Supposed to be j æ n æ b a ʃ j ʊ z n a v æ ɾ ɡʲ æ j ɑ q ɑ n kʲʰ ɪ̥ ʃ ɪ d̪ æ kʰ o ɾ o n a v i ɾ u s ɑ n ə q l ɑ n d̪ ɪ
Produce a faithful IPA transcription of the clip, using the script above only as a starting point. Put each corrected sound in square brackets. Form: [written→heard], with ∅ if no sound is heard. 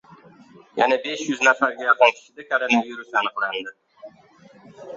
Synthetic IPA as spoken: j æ n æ b [a→e] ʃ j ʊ z n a [v→f] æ ɾ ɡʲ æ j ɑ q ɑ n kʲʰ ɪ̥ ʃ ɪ d̪ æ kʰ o ɾ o n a v i ɾ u s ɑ n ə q l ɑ n d̪ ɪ